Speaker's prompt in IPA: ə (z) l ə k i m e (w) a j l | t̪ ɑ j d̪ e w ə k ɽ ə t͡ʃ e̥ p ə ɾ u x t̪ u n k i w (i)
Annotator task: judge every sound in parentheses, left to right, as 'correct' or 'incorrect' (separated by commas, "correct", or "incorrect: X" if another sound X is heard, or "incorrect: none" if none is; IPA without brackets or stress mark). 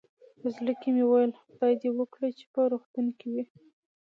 correct, correct, correct